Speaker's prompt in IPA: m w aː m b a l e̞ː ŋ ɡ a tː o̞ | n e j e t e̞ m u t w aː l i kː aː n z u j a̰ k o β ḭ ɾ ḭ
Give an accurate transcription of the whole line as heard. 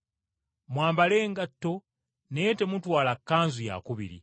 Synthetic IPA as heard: m w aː m b a l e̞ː ŋ ɡ a tː o̞ | n e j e t e̞ m u t w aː l a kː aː n z u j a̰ k u β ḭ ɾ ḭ